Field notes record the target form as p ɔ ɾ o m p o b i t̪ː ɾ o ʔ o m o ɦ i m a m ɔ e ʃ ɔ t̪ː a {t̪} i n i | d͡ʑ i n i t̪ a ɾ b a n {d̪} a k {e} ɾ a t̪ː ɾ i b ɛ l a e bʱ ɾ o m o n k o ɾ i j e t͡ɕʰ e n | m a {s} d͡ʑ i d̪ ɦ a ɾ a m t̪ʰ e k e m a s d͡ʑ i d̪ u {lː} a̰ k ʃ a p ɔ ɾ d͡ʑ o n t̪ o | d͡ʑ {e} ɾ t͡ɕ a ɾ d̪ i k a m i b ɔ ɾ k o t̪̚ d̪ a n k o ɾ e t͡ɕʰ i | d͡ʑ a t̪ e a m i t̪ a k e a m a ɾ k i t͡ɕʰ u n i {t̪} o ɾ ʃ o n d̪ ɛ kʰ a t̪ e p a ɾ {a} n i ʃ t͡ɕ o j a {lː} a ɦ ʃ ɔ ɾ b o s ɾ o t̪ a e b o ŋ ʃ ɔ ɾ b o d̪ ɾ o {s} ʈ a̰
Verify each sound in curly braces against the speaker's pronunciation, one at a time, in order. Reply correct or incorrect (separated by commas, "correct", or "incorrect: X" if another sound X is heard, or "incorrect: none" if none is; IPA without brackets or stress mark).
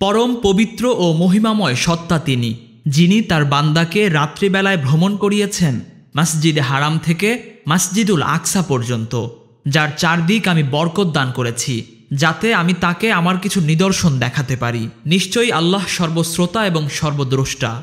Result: correct, correct, correct, correct, incorrect: l, incorrect: a, incorrect: d̪, incorrect: i, correct, incorrect: ʃ